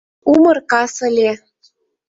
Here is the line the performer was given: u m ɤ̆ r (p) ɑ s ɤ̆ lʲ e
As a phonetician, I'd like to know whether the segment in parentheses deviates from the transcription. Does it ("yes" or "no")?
yes